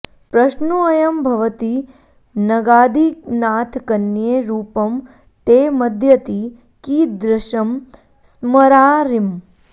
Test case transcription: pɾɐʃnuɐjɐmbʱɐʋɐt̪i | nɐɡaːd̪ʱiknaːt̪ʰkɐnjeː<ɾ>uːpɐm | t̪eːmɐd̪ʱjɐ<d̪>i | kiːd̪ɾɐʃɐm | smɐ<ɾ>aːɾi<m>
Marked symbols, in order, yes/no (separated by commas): yes, no, yes, yes